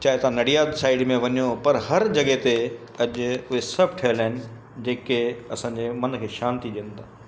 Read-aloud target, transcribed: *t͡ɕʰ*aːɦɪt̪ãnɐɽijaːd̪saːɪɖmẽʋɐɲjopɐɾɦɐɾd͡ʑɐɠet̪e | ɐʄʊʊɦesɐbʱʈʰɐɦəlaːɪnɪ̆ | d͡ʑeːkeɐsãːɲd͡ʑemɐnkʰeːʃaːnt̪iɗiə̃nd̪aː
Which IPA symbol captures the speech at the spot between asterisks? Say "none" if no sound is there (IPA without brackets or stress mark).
t͡ɕ